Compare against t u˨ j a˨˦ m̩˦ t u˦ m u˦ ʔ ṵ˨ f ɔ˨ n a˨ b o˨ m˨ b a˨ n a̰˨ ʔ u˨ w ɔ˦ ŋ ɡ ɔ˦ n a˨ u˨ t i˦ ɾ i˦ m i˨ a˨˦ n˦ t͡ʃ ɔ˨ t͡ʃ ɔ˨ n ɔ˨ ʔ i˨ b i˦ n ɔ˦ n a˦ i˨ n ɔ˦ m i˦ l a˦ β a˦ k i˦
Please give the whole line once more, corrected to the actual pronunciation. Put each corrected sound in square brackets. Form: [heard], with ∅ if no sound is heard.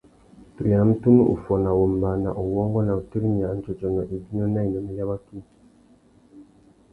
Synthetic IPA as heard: t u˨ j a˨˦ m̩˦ t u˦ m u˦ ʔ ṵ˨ f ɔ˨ n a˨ [w] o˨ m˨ b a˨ n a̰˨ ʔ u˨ w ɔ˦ ŋ ɡ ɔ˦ n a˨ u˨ t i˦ ɾ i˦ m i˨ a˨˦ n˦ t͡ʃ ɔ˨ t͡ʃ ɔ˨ n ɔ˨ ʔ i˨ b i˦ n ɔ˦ n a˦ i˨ n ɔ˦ m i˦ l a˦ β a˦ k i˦